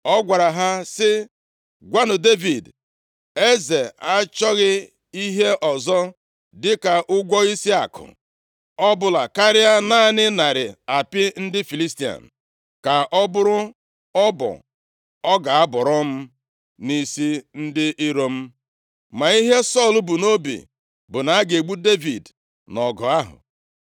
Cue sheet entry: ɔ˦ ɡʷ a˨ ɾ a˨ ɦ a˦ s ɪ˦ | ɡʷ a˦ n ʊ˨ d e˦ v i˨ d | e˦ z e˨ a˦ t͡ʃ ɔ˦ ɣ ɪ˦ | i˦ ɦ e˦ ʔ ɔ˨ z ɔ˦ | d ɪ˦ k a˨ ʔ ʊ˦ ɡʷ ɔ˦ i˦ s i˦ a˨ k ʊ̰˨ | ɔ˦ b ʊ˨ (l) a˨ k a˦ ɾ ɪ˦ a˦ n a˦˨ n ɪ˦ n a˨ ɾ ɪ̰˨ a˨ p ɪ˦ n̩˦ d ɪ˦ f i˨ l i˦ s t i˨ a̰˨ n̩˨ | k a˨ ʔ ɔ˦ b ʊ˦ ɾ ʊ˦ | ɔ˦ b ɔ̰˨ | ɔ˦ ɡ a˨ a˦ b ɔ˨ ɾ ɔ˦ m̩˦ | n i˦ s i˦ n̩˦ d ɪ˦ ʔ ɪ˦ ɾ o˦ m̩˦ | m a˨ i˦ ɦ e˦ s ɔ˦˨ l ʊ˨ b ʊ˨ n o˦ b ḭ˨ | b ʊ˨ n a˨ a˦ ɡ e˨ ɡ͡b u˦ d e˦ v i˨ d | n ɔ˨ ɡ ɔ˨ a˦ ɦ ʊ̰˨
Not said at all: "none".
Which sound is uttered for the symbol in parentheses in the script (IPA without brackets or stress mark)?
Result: l